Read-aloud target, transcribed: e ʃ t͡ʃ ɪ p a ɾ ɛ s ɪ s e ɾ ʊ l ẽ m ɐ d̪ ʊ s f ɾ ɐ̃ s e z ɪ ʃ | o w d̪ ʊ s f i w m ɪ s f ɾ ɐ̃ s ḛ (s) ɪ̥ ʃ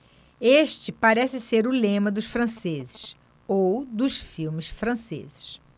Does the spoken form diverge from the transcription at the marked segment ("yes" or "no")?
yes